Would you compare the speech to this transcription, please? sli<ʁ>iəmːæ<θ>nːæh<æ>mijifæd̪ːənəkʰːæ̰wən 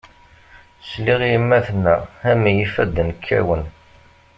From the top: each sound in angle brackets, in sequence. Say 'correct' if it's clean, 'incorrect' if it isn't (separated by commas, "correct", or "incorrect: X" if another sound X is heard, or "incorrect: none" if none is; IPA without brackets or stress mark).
correct, correct, correct